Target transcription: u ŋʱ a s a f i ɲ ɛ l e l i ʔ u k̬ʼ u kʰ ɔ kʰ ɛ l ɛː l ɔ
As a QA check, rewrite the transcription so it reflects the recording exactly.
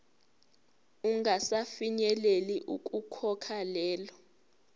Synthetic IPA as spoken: u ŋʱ a s a f i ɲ ɛ l e l i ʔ u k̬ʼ u kʰ ɔ kʰ a l ɛː l ɔ